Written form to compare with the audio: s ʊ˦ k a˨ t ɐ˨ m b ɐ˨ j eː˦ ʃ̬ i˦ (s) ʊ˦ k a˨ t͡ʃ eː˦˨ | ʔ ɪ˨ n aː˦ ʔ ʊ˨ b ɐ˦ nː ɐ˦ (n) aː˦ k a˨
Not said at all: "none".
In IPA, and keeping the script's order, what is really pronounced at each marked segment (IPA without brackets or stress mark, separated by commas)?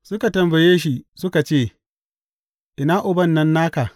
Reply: s, nː